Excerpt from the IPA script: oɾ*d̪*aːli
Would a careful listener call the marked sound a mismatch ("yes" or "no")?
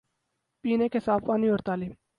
yes